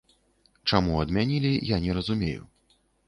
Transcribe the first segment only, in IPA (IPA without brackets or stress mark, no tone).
t͡ʂ